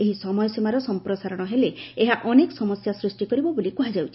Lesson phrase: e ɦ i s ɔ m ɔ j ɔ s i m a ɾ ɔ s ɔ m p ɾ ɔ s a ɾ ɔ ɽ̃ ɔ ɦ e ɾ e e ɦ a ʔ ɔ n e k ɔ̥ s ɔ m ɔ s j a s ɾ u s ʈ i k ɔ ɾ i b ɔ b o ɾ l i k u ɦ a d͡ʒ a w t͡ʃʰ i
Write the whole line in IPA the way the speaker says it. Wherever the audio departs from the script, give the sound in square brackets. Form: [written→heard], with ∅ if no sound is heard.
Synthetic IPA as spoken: e ɦ i s ɔ m ɔ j ɔ s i m a ɾ ɔ s ɔ m p ɾ ɔ s a ɾ ɔ ɽ̃ ɔ ɦ e [ɾ→l] e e ɦ a ʔ ɔ n e k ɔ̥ s ɔ m ɔ s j a s ɾ u s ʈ i k ɔ ɾ i b ɔ b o [ɾ→∅] l i k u ɦ a d͡ʒ a w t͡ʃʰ i

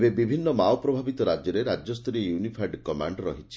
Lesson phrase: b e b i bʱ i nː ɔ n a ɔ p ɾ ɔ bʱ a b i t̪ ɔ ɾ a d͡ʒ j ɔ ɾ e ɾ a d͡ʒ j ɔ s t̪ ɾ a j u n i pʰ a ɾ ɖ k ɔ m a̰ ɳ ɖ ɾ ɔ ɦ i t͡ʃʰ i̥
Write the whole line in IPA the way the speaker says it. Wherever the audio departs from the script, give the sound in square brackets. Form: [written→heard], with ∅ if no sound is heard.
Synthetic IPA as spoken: b e b i bʱ i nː ɔ [n→m] a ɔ p ɾ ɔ bʱ a b i t̪ ɔ ɾ a d͡ʒ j ɔ ɾ e ɾ a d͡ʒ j ɔ s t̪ ɾ [a→i] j u n i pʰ a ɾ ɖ k ɔ m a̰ ɳ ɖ ɾ ɔ ɦ i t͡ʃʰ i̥

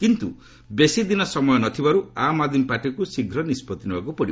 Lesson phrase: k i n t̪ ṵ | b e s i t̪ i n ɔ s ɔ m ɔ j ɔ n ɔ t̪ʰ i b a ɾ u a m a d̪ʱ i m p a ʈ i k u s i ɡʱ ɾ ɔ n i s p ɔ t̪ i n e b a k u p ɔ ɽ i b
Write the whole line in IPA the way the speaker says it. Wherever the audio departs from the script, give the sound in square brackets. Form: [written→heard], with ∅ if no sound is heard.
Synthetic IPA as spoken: k i n t̪ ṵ | b e s i [t̪→d̪] i n ɔ s ɔ m ɔ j ɔ n ɔ t̪ʰ i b a ɾ u a m a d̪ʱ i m p a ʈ i k u s i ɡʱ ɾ ɔ n i s p ɔ t̪ i n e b a k u p ɔ ɽ i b

